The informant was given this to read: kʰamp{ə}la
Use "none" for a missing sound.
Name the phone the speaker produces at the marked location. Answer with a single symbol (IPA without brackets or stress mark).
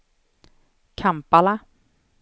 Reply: a